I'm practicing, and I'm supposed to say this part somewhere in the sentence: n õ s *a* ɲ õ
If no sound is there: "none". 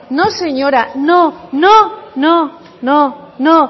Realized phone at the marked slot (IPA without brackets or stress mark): e